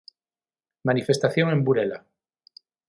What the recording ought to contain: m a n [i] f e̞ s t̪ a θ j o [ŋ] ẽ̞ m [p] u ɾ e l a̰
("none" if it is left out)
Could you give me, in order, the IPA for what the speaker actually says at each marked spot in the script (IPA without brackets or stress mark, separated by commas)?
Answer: i, ŋ, b